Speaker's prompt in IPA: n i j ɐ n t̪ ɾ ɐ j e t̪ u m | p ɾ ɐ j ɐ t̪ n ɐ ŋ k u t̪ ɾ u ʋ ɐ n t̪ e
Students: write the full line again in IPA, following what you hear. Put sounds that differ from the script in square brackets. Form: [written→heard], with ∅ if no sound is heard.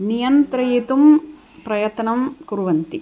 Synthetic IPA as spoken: n i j ɐ n t̪ ɾ ɐ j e t̪ u m | p ɾ ɐ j ɐ t̪ n ɐ [ŋ→m] k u [t̪→∅] ɾ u ʋ ɐ n t̪ [e→i]